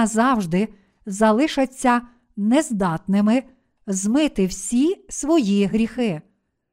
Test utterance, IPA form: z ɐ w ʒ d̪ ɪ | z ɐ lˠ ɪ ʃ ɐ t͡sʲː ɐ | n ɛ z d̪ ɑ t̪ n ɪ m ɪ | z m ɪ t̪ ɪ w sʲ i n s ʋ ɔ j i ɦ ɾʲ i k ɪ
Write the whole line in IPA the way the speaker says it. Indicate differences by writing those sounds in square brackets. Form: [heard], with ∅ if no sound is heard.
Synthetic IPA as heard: z [ɑ] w ʒ d̪ ɪ | z ɐ lˠ ɪ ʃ ɐ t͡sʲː ɐ | n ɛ z d̪ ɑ t̪ n ɪ m ɪ | z m ɪ t̪ ɪ w sʲ i [∅] s ʋ ɔ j i ɦ ɾʲ i [x] ɪ